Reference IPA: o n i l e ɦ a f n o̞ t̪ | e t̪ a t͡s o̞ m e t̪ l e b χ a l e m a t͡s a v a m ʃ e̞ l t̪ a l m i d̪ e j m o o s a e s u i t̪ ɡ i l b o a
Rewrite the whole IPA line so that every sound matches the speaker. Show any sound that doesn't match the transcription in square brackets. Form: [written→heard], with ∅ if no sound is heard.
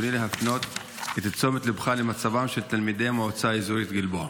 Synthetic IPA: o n i l e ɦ a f n o̞ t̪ | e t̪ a t͡s o̞ m e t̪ l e b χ a l e m a t͡s a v a m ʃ e̞ l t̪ a l m i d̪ e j m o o [s→t͡s] a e [s→z] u i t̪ ɡ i l b o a